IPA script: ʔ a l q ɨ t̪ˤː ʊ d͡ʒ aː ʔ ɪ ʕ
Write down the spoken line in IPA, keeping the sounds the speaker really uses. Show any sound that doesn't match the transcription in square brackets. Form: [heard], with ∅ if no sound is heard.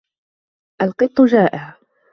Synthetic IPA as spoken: ʔ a l q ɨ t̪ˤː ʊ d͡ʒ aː ʔ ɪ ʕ